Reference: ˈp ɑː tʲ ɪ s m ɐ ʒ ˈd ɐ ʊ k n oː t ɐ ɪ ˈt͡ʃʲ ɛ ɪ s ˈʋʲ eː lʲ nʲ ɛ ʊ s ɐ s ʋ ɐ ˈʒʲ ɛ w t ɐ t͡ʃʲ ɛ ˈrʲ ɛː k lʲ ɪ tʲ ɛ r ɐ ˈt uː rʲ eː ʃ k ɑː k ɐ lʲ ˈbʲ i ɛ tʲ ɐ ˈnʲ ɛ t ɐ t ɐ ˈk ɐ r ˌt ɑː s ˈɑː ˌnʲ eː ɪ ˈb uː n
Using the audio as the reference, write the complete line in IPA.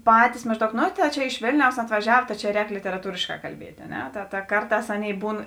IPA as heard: ˈp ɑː tʲ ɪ s m ɐ ʒ ˈd ɐ ʊ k n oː t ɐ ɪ ˈt͡ʃʲ ɛ ɪ ʃ ˈʋʲ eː lʲ nʲ ɛ ʊ s ɐ t ʋ ɐ ˈʒʲ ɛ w t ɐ t͡ʃʲ ɛ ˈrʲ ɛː k lʲ ɪ tʲ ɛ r ɐ ˈt uː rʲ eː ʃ k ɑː k ɐ lʲ ˈbʲ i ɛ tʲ ɐ ˈnʲ ɛ t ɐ t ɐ ˈk ɐ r ˌt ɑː s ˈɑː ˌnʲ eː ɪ ˈb uː n